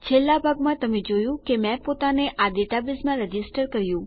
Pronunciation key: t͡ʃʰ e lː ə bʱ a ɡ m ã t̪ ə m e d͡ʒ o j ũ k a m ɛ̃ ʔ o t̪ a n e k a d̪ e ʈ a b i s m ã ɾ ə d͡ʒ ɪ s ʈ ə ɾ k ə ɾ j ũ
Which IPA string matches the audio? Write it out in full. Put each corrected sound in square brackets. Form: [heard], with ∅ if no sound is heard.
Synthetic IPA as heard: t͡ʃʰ e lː [a] bʱ a ɡ m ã t̪ ə m e d͡ʒ o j ũ k [e] m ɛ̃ [p] o t̪ a n e [ʔ] a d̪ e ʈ a b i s m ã ɾ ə d͡ʒ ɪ s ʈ ə ɾ k ə ɾ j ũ